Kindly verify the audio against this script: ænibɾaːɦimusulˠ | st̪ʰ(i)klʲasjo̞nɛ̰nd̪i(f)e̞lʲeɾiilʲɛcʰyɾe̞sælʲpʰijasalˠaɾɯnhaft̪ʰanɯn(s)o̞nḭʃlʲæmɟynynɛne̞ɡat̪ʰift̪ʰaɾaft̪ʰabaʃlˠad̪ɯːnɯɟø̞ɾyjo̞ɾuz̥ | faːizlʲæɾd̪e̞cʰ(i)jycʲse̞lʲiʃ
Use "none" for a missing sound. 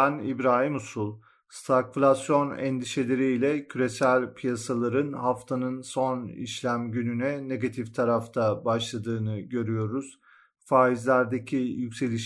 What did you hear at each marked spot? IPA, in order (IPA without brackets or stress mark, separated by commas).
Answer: a, ʃ, s, i